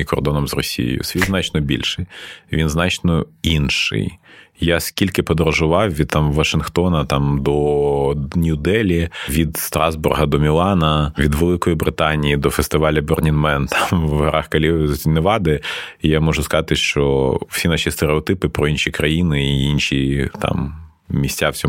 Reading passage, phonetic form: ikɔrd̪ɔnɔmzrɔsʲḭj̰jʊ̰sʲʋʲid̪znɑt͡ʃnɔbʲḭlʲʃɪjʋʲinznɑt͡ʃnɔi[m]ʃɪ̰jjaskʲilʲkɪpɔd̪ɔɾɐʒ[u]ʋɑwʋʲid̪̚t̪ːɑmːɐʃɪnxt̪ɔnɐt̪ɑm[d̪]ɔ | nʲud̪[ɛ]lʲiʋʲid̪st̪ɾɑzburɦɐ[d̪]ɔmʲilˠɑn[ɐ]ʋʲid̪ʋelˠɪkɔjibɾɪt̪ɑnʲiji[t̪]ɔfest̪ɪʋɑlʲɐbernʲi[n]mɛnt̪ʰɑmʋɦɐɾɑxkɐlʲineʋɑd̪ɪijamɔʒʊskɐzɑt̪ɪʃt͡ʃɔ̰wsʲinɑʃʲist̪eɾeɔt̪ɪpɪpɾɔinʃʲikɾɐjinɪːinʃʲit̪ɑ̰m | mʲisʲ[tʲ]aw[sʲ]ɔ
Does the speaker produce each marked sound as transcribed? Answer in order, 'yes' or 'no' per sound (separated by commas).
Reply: no, no, yes, yes, yes, yes, no, yes, yes, yes